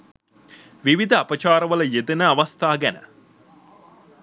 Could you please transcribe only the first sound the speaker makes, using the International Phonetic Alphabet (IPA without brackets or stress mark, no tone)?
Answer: ʋ